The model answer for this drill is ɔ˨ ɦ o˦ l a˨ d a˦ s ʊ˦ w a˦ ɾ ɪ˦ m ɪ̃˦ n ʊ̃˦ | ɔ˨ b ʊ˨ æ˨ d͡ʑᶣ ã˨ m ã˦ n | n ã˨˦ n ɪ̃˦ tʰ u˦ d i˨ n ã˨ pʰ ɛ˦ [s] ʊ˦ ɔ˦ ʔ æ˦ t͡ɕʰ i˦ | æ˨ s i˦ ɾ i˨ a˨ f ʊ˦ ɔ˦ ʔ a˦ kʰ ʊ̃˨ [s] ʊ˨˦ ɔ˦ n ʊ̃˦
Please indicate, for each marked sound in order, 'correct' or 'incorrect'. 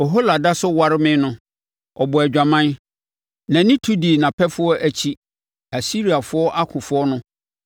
incorrect: f, incorrect: f

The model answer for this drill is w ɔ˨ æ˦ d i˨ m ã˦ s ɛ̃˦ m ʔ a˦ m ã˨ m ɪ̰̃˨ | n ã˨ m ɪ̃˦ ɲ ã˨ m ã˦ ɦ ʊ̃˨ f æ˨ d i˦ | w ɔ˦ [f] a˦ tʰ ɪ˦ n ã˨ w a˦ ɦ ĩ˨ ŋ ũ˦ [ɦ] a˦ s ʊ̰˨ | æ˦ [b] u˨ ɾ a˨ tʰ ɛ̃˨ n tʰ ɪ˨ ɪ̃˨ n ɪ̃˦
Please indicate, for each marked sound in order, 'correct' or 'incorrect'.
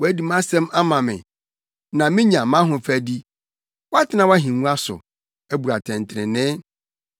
incorrect: none, incorrect: none, correct

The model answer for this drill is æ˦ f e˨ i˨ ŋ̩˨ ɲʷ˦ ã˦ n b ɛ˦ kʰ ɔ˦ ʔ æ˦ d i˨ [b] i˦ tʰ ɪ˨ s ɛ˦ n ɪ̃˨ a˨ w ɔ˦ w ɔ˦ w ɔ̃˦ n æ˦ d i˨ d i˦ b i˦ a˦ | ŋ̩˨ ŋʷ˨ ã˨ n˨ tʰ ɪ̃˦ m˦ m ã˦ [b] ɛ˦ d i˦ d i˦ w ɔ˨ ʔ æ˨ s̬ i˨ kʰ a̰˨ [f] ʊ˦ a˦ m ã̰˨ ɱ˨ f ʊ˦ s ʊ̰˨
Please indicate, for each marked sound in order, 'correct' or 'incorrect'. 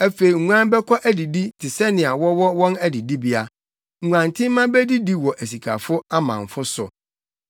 incorrect: d, correct, correct

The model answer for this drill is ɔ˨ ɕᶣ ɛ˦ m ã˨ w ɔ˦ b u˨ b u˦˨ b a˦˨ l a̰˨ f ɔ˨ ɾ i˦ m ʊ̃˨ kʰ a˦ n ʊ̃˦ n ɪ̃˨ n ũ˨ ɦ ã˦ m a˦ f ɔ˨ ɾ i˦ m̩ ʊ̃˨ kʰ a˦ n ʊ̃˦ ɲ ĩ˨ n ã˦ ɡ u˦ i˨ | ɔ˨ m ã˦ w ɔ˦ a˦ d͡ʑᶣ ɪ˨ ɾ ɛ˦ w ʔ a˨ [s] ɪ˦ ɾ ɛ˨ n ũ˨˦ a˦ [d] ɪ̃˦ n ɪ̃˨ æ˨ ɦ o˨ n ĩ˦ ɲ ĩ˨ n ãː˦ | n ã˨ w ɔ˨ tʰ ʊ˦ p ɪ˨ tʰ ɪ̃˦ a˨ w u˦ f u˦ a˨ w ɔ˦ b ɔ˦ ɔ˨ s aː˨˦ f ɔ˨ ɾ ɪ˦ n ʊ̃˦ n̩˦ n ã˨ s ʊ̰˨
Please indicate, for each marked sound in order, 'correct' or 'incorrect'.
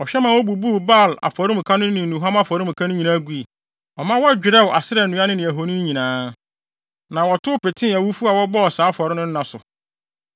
correct, incorrect: n

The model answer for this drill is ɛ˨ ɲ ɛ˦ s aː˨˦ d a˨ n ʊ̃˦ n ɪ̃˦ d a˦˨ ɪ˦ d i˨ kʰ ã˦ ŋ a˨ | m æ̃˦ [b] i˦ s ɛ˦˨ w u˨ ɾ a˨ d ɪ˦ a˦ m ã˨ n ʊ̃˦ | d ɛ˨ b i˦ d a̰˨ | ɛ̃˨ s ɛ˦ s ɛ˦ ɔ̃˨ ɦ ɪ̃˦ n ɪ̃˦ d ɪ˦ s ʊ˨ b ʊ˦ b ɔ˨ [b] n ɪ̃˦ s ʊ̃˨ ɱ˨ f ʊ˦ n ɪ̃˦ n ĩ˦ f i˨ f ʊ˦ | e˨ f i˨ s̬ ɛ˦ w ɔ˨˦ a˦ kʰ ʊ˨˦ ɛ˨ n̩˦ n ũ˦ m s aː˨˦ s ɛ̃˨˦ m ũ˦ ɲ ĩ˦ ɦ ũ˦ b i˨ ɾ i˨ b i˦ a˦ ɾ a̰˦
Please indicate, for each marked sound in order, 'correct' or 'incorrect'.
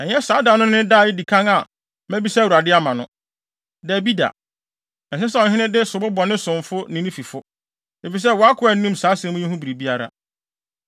correct, incorrect: none

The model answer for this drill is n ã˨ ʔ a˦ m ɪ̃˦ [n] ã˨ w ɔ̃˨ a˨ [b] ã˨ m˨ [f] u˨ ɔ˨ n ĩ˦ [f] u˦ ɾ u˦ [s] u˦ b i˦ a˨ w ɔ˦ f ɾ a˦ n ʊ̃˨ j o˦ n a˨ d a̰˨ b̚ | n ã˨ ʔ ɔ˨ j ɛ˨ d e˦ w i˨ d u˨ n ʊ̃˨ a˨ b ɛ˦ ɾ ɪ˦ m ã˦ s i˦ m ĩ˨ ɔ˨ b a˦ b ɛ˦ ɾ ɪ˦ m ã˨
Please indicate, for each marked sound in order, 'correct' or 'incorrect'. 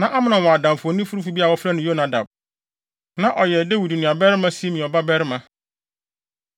correct, incorrect: d, correct, correct, incorrect: f

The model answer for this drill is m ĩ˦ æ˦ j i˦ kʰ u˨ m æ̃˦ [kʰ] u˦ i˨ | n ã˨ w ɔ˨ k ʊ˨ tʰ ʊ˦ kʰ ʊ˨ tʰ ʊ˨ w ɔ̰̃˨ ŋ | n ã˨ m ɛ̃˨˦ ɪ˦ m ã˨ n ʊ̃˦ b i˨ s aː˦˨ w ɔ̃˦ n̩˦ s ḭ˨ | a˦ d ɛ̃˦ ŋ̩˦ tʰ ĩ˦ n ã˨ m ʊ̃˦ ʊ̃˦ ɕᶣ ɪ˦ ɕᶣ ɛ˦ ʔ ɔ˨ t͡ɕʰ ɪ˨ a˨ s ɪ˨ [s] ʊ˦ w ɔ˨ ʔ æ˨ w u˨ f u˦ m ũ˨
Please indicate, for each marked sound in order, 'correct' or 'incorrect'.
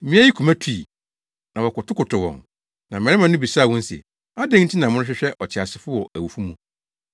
incorrect: tʰ, incorrect: f

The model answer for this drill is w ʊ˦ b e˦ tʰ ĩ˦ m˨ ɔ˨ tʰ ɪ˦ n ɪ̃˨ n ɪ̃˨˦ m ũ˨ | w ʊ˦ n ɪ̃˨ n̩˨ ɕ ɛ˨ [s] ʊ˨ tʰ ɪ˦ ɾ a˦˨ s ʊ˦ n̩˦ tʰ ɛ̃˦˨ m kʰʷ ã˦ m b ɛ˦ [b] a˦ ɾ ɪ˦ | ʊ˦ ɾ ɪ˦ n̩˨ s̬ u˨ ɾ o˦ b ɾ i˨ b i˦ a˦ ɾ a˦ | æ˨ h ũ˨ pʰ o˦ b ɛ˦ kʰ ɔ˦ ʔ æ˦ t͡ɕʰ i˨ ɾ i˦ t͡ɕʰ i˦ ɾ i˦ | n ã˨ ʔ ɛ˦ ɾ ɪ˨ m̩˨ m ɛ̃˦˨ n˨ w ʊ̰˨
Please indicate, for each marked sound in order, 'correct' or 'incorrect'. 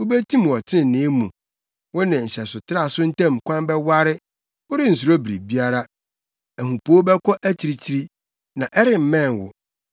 correct, incorrect: w

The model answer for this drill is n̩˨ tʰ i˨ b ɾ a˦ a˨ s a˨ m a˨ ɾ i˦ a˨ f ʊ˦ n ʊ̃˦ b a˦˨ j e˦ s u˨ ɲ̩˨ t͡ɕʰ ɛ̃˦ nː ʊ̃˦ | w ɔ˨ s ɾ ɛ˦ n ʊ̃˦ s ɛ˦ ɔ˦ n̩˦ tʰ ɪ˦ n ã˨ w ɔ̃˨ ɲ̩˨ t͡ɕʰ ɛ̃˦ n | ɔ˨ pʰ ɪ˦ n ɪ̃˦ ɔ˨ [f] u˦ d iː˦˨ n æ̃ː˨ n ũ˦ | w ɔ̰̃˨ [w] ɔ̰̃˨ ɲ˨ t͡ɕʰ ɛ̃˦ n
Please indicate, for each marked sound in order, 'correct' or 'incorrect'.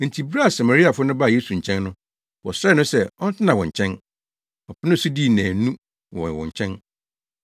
incorrect: s, correct

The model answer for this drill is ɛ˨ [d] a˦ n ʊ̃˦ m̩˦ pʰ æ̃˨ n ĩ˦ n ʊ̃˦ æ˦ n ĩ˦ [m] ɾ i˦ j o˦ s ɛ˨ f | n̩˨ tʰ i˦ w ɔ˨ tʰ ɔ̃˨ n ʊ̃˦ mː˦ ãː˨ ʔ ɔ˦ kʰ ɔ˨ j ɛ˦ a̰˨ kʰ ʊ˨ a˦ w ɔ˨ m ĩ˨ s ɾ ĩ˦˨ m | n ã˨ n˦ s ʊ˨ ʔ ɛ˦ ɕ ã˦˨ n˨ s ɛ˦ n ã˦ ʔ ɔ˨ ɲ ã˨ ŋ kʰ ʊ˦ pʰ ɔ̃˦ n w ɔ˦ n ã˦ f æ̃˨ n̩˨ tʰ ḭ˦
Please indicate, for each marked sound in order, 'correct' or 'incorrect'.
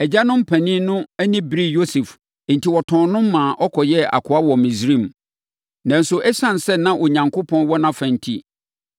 incorrect: d͡ʑ, incorrect: b

